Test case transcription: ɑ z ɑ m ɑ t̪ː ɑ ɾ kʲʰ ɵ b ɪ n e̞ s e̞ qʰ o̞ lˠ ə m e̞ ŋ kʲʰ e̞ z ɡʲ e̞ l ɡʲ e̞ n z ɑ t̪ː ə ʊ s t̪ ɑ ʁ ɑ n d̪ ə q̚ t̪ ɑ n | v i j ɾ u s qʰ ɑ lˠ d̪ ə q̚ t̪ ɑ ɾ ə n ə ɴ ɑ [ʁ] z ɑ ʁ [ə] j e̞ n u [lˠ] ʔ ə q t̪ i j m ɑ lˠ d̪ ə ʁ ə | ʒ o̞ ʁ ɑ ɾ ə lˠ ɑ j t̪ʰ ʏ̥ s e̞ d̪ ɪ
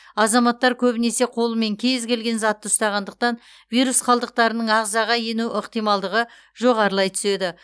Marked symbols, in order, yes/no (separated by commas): yes, no, no